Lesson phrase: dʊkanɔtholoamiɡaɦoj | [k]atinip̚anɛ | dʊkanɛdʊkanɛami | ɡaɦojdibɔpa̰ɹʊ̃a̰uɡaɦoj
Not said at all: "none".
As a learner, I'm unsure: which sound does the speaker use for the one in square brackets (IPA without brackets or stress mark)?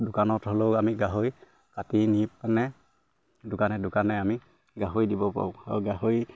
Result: k